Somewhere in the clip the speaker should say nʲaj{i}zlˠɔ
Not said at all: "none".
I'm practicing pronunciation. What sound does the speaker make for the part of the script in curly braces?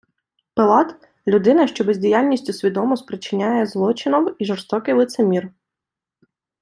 ɛ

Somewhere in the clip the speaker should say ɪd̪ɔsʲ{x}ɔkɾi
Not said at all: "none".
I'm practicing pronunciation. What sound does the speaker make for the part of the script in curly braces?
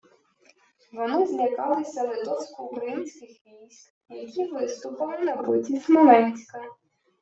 k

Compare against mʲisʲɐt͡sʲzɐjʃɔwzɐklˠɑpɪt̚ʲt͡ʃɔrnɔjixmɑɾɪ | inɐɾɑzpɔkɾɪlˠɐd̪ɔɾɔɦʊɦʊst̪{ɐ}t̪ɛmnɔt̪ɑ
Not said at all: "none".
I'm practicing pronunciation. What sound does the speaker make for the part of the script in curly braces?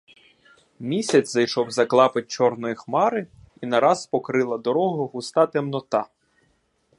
ɑ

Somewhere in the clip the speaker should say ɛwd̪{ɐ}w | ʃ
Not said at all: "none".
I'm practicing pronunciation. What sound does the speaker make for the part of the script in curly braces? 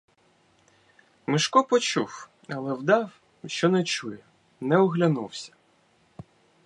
ɑ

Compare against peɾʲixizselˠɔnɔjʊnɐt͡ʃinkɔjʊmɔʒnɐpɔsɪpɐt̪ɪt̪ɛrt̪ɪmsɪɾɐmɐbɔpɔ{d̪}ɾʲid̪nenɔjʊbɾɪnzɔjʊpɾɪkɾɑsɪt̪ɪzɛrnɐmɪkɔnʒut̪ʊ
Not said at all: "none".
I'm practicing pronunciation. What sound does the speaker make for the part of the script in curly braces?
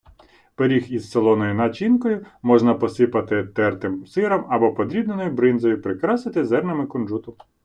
d̪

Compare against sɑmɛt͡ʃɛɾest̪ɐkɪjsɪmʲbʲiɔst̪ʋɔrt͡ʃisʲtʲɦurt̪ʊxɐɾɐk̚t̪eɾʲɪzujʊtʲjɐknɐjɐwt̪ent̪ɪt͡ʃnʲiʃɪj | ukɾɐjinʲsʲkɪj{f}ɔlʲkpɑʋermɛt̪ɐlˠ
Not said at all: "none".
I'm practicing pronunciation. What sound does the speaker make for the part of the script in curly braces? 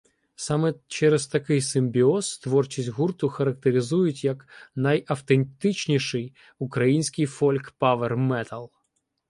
f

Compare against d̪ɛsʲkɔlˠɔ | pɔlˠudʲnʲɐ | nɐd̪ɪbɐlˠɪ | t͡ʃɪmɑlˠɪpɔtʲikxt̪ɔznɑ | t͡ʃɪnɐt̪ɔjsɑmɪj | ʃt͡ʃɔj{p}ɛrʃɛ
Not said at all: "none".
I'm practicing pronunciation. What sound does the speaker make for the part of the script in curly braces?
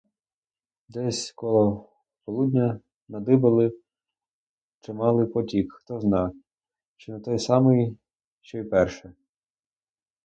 p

